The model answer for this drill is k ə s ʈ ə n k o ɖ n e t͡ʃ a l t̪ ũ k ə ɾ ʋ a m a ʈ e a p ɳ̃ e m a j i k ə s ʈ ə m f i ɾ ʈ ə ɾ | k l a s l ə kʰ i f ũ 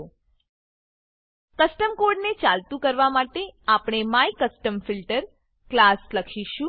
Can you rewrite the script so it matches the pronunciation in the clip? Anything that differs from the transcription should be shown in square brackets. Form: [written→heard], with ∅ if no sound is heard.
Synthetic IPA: k ə s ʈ ə [n→m] k o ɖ n e t͡ʃ a l t̪ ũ k ə ɾ ʋ a m a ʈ e a p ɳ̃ e m a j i k ə s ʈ ə m f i [ɾ→l] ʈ ə ɾ | k l a s l ə kʰ i [f→ʃ] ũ

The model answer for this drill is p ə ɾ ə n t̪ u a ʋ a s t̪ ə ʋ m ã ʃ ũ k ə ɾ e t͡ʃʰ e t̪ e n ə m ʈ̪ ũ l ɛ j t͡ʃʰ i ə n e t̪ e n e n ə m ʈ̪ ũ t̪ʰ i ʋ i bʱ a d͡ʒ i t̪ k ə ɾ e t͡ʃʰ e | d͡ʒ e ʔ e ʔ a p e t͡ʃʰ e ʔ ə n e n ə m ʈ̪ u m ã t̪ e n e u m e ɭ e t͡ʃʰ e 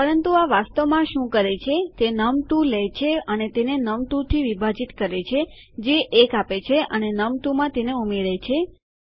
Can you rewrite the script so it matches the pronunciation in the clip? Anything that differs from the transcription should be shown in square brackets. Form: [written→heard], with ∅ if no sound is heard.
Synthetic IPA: p ə ɾ ə n t̪ u a ʋ a s t̪ ə ʋ m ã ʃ ũ k ə ɾ e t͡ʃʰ e t̪ e n ə m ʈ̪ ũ l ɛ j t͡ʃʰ [i→e] ə n e t̪ e n e n ə m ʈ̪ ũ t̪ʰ i ʋ i bʱ a d͡ʒ i t̪ k ə ɾ e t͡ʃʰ e | d͡ʒ e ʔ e [ʔ→k] a p e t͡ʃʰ e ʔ ə n e n ə m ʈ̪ u m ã t̪ e n e u m e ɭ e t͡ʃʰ e

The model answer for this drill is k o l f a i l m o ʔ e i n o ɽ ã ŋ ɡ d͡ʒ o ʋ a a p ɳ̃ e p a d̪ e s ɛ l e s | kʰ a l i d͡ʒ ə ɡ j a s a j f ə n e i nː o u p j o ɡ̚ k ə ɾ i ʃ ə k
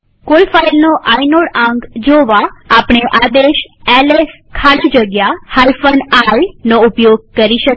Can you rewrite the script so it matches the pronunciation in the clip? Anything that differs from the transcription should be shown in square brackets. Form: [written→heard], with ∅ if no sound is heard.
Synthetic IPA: k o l f a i l [m→n] o ʔ [e→a] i n o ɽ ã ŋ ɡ d͡ʒ o ʋ a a p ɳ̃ e [p→ʔ] a d̪ e [s→ʃ] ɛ l e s | kʰ a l i d͡ʒ ə ɡ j a [s→h] a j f ə n [e→a] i [nː→n] o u p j o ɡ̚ k ə ɾ i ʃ ə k

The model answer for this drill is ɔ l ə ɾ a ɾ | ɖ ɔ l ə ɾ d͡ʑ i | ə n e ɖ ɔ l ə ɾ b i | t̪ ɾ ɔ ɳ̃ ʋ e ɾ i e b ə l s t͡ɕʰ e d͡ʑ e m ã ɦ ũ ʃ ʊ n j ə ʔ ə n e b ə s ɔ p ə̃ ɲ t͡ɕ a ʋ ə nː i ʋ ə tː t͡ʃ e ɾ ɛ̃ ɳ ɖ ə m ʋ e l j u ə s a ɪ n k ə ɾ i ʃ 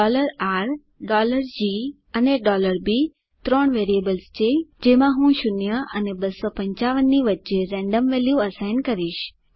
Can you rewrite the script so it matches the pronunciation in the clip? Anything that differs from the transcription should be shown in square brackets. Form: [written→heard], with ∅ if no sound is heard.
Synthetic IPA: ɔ l ə ɾ a ɾ | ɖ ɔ l ə ɾ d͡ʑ i | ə n e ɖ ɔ l ə ɾ b i | t̪ ɾ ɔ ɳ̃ ʋ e ɾ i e b ə l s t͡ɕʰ e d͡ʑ e m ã ɦ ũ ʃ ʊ n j ə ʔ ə n e b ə s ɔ p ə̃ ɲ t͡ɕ a ʋ ə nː i ʋ ə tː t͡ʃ e ɾ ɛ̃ ɳ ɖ ə m ʋ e l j u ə s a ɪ n k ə ɾ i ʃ

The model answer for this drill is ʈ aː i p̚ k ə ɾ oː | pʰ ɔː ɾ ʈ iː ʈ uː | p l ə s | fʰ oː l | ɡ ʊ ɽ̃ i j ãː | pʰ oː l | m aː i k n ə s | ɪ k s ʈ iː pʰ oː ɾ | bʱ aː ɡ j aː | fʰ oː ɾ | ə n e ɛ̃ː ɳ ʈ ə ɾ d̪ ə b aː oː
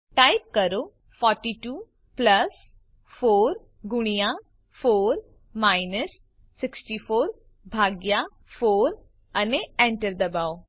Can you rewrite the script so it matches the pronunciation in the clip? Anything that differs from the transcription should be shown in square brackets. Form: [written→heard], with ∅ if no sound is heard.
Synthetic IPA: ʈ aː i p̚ k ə ɾ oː | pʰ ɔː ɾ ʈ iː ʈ uː | p l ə s | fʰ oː [l→ɾ] | ɡ ʊ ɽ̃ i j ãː | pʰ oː [l→ɾ] | m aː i [k→∅] n ə [s→sː] | ɪ k s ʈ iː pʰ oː ɾ | bʱ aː ɡ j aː | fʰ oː ɾ | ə n e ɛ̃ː ɳ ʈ ə ɾ d̪ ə b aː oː

